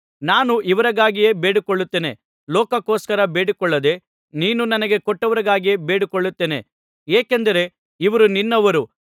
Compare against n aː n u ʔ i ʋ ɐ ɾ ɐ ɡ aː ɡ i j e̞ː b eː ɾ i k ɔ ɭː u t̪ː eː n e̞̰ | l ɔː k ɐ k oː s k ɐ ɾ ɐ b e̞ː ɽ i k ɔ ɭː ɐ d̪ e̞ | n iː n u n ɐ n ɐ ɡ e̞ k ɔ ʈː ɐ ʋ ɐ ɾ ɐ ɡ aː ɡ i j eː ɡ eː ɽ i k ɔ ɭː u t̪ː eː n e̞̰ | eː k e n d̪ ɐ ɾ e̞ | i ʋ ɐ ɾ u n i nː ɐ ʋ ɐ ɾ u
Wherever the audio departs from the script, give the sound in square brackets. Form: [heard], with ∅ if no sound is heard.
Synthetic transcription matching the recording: n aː n u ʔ i ʋ ɐ ɾ ɐ ɡ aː ɡ i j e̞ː b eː [ɽ] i k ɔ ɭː u t̪ː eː n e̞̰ | l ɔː k ɐ k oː s k ɐ ɾ ɐ b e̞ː ɽ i k ɔ ɭː ɐ d̪ e̞ | n iː n u n ɐ n ɐ ɡ e̞ k ɔ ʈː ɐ ʋ ɐ ɾ ɐ ɡ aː ɡ i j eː [b] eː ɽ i k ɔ ɭː u t̪ː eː n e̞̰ | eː k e n d̪ ɐ ɾ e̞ | i ʋ ɐ ɾ u n i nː ɐ ʋ ɐ ɾ u